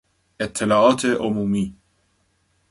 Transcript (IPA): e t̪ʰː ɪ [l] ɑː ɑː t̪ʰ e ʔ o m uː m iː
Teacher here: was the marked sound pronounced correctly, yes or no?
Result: yes